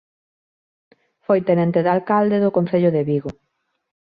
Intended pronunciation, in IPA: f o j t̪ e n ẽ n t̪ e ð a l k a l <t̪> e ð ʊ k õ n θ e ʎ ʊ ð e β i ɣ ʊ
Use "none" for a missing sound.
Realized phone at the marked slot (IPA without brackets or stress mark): d̪